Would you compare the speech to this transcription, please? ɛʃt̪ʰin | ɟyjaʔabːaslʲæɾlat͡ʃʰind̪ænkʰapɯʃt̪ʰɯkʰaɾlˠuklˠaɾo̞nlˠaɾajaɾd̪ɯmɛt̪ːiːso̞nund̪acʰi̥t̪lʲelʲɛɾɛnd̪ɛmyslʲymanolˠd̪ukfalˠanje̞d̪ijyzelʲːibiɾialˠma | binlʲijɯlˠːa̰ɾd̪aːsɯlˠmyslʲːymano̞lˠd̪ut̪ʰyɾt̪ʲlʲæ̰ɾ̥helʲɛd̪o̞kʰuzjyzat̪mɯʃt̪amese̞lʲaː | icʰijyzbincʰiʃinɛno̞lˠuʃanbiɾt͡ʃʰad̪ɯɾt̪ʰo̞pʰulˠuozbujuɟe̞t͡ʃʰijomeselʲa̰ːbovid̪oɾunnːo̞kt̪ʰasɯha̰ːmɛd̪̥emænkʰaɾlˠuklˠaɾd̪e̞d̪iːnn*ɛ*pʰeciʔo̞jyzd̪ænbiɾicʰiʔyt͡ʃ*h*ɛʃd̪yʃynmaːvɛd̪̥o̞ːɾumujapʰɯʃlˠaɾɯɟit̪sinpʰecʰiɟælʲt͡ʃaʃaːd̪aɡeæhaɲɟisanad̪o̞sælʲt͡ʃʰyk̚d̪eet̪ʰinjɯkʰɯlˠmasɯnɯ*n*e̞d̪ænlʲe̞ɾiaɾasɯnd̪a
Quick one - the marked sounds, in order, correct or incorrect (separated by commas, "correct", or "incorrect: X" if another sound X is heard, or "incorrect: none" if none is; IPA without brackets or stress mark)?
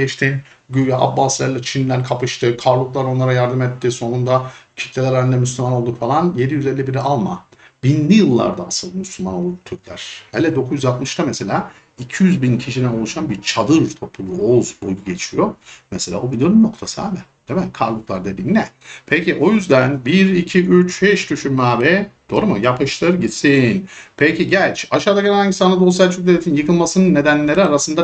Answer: correct, correct, incorrect: nː